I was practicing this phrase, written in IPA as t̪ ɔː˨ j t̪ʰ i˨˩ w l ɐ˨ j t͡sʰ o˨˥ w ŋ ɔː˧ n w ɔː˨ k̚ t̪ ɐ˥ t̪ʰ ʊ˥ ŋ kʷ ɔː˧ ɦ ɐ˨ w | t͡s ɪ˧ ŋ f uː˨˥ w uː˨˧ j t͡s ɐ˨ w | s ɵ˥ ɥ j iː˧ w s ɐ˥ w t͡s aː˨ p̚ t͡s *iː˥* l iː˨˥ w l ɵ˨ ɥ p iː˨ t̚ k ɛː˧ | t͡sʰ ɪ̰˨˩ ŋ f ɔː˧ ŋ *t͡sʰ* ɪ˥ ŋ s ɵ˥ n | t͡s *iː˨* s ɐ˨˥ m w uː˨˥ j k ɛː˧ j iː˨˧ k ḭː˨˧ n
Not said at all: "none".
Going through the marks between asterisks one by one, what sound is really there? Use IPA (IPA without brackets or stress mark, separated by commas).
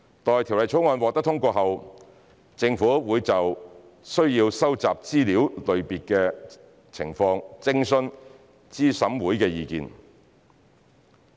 iː˥, t͡s, iː˥